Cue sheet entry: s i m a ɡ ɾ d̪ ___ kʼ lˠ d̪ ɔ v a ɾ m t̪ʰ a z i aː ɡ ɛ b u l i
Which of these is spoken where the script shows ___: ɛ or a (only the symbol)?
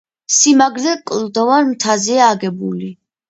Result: ɛ